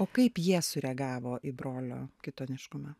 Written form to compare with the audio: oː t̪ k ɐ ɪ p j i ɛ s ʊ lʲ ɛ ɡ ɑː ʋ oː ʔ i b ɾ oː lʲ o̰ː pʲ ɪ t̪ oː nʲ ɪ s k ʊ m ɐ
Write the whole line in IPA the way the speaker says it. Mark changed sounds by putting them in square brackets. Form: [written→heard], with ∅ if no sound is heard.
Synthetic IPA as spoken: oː [t̪→∅] k ɐ ɪ p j i ɛ s ʊ [lʲ→ɾʲ] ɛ ɡ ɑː ʋ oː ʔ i b ɾ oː lʲ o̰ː [pʲ→kʲ] ɪ t̪ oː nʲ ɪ [s→ʃ] k ʊ m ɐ